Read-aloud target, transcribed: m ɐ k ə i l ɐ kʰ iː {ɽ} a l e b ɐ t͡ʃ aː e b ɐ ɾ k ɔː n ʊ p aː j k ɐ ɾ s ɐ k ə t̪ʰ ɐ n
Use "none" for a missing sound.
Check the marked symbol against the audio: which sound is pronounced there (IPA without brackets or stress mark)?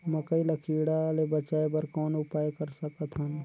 ɽ